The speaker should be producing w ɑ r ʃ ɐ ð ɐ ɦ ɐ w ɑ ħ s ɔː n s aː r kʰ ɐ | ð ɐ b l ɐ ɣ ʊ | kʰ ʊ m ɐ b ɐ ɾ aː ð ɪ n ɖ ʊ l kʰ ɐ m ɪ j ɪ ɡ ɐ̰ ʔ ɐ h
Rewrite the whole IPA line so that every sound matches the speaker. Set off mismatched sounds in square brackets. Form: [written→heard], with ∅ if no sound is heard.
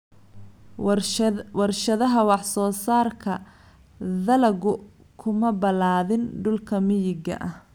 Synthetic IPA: w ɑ r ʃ ɐ ð ɐ ɦ ɐ w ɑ ħ s ɔː [n→∅] s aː r kʰ ɐ | ð ɐ [b→∅] l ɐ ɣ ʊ | kʰ ʊ m ɐ b ɐ [ɾ→l] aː ð ɪ n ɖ ʊ l kʰ ɐ m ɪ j ɪ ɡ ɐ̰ ʔ ɐ h